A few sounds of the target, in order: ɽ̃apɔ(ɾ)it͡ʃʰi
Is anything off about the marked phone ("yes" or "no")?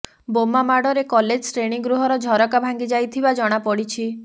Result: yes